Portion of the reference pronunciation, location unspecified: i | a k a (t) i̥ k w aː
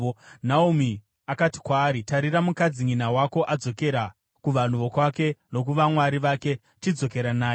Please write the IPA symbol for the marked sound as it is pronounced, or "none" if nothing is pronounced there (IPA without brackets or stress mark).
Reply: t